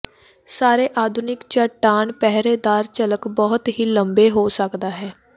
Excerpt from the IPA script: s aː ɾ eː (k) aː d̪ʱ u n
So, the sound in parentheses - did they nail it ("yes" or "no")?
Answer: no